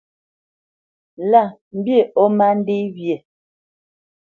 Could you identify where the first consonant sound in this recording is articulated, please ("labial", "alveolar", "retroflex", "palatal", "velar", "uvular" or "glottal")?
alveolar